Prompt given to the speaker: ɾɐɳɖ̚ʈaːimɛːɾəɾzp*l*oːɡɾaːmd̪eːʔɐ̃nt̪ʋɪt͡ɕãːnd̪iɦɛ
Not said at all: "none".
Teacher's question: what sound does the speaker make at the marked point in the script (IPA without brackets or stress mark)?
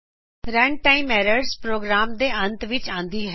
ɾ